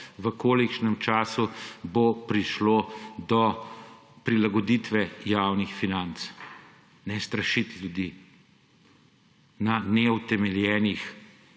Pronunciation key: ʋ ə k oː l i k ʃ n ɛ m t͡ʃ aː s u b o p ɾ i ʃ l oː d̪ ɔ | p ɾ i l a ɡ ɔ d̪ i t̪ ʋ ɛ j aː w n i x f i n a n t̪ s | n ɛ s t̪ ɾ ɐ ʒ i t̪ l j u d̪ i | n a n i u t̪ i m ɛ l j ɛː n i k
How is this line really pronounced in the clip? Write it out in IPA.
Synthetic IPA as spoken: ʋ ə k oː l i k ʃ n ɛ m t͡ʃ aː s u b o p ɾ i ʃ l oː d̪ ɔ | p ɾ i l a ɡ ɔ d̪ i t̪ ʋ ɛ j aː w n i x f i n a n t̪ s | n ɛ s t̪ ɾ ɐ ʃ i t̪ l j u d̪ i | n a n ɛ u t̪ ɛ m ɛ l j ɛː n i x